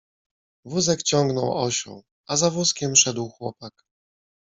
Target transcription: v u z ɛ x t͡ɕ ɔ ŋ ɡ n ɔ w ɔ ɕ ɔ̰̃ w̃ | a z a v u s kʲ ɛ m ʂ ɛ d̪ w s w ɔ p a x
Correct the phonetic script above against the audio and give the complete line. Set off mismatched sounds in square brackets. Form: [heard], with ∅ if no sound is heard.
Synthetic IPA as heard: v u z ɛ [k] t͡ɕ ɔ ŋ ɡ n ɔ w ɔ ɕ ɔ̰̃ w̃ | a z a v u s kʲ ɛ m ʂ ɛ d̪ w [x] w ɔ p a [k]